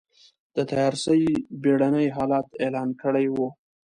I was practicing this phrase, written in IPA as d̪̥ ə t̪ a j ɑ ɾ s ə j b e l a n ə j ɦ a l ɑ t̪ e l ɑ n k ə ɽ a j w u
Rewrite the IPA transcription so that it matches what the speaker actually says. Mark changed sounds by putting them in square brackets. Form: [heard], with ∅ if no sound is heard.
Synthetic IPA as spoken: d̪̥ ə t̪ a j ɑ ɾ s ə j b e [ɽ] a n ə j ɦ [ɑ] l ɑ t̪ e l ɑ n k ə ɽ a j w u